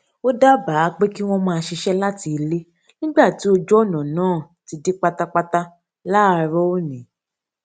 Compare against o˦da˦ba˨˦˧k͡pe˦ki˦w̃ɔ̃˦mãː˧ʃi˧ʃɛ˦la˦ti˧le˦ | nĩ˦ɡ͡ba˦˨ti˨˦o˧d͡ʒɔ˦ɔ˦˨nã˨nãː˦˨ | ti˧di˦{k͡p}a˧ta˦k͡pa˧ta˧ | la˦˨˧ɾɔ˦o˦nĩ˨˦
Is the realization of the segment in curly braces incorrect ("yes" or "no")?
no